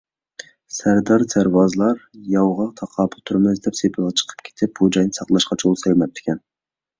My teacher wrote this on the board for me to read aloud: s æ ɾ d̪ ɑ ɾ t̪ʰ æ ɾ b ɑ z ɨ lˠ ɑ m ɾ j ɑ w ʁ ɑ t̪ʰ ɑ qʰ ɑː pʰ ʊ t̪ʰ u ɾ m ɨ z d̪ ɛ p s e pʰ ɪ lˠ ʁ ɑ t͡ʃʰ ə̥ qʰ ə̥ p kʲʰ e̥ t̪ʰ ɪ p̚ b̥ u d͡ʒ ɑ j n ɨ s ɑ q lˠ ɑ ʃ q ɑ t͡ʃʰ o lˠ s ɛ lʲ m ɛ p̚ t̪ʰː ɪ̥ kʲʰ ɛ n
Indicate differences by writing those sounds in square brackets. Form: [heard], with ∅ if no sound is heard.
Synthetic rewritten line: s æ ɾ d̪ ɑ ɾ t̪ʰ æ ɾ [w] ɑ z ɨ lˠ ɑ [∅] ɾ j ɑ w ʁ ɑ t̪ʰ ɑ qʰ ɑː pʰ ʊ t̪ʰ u ɾ m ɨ z d̪ ɛ p s e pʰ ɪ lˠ ʁ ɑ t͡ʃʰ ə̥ qʰ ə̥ p kʲʰ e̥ t̪ʰ ɪ p̚ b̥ u d͡ʒ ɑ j n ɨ s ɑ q lˠ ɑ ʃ q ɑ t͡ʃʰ o lˠ s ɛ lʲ m ɛ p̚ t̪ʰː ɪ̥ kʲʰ ɛ n